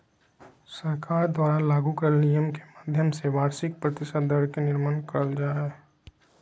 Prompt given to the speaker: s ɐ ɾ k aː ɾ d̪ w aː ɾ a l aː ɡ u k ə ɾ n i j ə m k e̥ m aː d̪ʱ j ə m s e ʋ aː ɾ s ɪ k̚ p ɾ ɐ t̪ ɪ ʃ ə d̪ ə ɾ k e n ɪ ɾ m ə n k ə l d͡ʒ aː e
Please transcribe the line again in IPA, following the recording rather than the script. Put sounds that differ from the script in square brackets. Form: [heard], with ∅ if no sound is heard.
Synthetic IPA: s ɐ ɾ k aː ɾ d̪ w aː ɾ a l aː ɡ u k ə ɾ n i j ə m k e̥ m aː d̪ʱ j ə m s e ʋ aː ɾ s ɪ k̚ p ɾ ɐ t̪ ɪ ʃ ə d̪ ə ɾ k e n ɪ ɾ m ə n k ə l d͡ʒ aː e